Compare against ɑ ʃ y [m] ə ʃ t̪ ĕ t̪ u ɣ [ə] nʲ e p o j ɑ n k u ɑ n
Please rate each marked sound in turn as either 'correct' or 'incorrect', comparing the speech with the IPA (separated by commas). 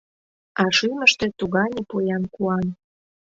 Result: correct, incorrect